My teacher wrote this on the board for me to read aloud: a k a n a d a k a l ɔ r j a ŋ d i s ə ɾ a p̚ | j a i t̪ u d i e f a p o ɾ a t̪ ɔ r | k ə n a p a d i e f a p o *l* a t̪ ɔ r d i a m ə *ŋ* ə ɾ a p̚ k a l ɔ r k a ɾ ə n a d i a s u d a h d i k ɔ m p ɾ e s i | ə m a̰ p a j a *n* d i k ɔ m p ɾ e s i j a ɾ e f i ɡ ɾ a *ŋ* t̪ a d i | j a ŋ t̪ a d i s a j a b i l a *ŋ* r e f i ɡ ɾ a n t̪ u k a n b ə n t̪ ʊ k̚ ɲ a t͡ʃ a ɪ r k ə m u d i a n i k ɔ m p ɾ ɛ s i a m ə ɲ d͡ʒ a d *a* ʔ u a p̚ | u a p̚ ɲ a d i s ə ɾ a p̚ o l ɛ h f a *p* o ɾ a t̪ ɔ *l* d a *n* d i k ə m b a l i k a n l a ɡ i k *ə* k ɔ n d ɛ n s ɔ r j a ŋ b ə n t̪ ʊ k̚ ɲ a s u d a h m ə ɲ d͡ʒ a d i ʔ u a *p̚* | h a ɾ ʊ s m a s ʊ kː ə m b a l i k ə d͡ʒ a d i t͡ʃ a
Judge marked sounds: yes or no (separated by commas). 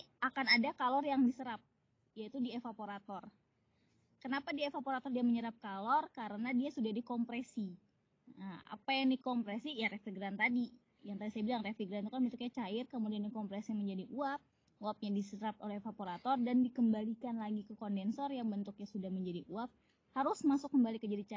no, no, no, no, yes, no, yes, no, yes, yes, yes